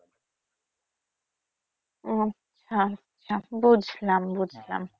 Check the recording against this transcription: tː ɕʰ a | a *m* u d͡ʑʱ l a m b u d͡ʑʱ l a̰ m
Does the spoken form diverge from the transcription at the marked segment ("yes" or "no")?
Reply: yes